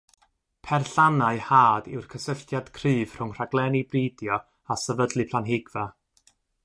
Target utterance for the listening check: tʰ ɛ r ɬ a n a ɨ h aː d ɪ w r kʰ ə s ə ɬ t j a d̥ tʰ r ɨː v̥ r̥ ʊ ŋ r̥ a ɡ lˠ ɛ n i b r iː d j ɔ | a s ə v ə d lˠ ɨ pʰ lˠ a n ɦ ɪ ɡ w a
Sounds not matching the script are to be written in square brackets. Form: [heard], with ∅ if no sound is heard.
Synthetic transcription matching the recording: [pʰ] ɛ r ɬ a n a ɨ h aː d ɪ w r kʰ ə s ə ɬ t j a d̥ [kʰ] r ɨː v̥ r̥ ʊ ŋ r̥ a ɡ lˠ ɛ n i b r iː d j ɔ | a s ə v ə d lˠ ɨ pʰ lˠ a n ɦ ɪ ɡ [v] a